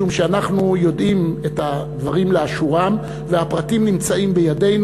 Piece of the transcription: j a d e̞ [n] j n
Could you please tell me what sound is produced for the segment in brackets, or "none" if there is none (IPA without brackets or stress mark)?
none